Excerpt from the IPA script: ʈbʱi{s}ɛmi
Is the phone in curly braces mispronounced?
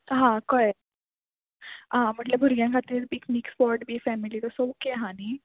yes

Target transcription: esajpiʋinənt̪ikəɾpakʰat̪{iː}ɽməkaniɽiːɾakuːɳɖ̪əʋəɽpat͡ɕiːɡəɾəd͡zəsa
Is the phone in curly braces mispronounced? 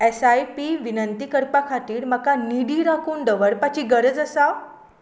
no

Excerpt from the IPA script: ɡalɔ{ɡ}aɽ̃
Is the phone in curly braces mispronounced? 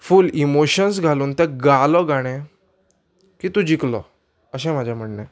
no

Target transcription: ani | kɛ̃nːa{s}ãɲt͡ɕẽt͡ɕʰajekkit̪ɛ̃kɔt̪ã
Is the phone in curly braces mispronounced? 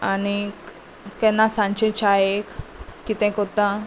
no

